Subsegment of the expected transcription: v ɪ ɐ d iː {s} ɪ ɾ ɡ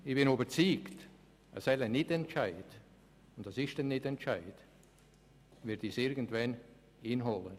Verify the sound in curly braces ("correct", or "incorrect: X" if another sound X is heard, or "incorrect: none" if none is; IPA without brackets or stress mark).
correct